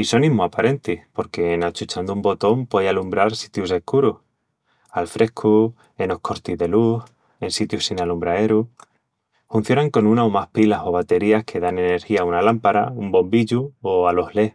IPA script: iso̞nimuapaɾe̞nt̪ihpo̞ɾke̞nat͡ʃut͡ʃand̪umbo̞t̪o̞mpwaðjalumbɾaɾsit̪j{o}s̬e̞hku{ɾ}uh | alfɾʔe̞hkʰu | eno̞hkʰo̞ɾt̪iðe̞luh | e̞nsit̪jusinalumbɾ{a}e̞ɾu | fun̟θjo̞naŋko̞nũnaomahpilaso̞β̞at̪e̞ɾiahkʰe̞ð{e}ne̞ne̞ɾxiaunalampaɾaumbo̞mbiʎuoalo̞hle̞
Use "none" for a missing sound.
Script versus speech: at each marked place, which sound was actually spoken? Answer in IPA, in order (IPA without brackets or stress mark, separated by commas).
u, ɾ, a, a